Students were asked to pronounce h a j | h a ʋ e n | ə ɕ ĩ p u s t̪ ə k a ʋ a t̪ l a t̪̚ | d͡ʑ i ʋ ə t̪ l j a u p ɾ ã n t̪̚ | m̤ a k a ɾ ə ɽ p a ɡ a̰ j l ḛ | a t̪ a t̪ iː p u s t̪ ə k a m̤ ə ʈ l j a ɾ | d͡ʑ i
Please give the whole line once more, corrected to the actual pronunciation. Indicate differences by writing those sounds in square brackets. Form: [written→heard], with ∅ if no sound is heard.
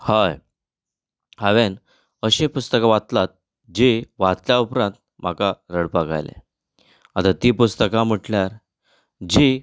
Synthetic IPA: h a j | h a ʋ e n | ə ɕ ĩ p u s t̪ ə k a ʋ a t̪ l a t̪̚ | d͡ʑ i ʋ [ə→a] t̪ l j a u p ɾ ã n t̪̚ | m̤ a k a ɾ ə ɽ p a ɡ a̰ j l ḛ | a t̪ a t̪ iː p u s t̪ ə k a m̤ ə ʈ l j a ɾ | d͡ʑ i